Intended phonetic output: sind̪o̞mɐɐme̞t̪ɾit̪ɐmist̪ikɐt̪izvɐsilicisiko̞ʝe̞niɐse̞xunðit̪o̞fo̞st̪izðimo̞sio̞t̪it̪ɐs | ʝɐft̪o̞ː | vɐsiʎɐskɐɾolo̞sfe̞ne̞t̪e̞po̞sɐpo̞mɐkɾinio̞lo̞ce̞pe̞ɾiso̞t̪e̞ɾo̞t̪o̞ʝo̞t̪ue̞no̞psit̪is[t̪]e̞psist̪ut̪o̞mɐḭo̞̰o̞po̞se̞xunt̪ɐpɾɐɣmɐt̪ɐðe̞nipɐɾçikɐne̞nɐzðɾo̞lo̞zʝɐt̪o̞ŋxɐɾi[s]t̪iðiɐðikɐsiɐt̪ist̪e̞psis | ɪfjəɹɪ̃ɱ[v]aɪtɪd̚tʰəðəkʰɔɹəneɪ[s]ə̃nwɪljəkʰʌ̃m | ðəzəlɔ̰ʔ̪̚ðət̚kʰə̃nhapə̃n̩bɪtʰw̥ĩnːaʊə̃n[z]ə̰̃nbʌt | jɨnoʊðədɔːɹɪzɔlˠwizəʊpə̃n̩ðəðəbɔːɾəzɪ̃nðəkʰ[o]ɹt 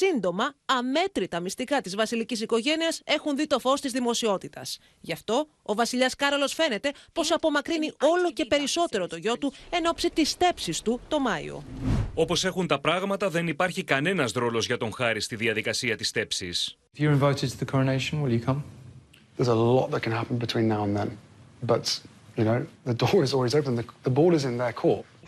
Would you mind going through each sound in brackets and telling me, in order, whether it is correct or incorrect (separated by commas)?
correct, correct, correct, incorrect, incorrect, incorrect